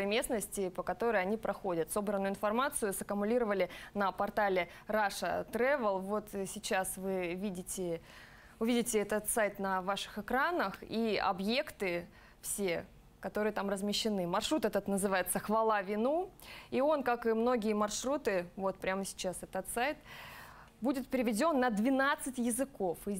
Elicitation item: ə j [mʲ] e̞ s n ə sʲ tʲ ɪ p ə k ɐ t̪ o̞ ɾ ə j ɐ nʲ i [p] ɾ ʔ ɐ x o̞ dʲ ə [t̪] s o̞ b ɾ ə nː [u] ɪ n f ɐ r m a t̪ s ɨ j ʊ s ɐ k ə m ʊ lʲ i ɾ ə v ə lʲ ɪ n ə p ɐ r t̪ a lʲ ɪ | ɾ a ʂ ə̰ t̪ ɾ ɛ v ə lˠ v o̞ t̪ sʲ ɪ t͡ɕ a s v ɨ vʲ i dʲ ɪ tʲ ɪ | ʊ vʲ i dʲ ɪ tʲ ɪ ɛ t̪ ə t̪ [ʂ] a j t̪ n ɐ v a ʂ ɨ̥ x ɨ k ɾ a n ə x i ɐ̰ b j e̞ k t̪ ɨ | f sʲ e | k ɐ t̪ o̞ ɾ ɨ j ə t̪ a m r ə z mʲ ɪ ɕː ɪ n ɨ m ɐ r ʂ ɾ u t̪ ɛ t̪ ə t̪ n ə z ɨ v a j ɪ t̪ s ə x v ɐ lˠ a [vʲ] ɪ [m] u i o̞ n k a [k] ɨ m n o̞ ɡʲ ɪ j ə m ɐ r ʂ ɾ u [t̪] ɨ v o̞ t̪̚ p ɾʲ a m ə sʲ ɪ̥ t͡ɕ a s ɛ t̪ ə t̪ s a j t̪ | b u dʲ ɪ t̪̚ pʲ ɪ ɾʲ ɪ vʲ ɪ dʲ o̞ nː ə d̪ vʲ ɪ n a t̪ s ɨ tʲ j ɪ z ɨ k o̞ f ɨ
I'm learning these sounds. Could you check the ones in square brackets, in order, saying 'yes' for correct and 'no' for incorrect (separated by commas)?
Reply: yes, yes, yes, no, no, yes, no, yes, yes